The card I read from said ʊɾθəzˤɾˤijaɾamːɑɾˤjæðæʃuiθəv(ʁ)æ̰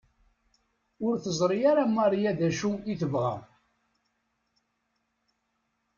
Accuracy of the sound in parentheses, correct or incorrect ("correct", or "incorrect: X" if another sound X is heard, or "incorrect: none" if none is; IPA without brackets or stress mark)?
correct